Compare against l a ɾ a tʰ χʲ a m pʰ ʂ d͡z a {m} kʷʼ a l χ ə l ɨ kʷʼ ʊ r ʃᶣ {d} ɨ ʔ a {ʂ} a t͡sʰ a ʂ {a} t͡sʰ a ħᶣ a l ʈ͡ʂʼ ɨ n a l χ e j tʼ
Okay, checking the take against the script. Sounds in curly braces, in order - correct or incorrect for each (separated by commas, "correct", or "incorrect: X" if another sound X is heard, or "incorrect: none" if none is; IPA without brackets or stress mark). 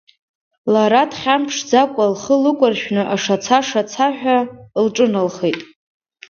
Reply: incorrect: none, incorrect: n, correct, correct